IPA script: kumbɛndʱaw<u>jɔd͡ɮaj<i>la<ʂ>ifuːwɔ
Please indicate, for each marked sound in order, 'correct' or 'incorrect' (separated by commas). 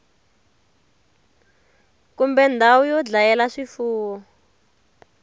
correct, incorrect, correct